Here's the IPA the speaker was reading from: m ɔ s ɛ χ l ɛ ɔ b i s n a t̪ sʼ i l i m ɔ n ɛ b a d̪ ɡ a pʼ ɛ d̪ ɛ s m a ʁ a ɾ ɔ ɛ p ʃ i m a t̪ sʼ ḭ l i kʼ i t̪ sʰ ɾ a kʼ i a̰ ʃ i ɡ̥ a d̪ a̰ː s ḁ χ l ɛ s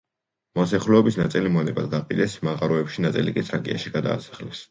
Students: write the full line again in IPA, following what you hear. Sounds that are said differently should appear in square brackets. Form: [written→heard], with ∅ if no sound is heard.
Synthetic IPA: m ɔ s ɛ χ l ɛ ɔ b i s n a t̪ sʼ i l i m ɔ n ɛ b a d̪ ɡ a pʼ [ɛ→i] d̪ ɛ s m a ʁ a ɾ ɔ ɛ p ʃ i [m→n] a t̪ sʼ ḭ l i kʼ i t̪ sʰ ɾ a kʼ i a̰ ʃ i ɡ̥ a d̪ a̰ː s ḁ χ l ɛ s